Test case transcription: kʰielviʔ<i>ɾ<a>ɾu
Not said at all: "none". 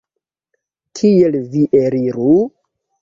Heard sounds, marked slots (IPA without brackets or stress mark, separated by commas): e, i